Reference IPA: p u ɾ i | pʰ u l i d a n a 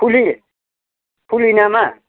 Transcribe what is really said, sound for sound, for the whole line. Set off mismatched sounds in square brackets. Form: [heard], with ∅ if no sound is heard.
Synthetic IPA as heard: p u [l] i | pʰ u l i [n] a [m] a